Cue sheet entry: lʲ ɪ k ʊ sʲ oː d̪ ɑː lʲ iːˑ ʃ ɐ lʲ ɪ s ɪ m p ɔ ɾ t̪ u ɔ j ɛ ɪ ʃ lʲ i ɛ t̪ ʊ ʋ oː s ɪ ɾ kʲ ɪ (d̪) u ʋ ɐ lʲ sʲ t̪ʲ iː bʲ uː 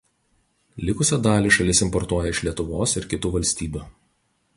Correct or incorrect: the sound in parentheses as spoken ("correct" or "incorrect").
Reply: incorrect